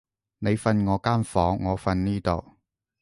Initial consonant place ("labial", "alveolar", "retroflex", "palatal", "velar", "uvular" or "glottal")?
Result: alveolar